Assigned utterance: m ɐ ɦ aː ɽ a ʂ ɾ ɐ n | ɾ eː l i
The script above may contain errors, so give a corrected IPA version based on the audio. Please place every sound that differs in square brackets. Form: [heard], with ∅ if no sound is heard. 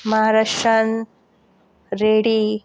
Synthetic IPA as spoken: m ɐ ɦ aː [ɾ] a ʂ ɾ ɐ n | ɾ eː [ɽ] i